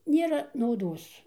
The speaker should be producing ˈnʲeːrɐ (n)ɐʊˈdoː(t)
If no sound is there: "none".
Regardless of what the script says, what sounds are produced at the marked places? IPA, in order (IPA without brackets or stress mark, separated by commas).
n, s